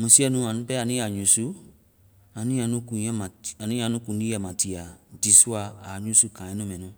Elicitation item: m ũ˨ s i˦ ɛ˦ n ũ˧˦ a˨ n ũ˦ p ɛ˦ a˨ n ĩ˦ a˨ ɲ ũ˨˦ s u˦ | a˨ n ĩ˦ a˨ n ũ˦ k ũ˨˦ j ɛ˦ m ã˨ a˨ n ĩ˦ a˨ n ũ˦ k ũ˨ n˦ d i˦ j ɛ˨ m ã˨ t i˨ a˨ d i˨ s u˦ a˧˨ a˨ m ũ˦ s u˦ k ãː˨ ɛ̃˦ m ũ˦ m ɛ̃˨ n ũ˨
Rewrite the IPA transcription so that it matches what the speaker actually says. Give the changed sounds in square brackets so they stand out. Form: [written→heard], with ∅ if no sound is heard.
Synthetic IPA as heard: m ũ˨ s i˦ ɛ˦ n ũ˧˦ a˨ n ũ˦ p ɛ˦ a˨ n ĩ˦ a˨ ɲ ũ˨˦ s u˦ | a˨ n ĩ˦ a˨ n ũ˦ k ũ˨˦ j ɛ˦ m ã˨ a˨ n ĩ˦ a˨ n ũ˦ k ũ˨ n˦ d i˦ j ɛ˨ m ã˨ t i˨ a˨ d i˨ s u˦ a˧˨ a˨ [m→ɲ] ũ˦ s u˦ k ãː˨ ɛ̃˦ [m→n] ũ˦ m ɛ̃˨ n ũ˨